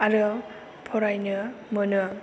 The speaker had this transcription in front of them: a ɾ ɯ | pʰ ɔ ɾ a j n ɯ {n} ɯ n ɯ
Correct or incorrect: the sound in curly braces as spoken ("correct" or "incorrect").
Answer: incorrect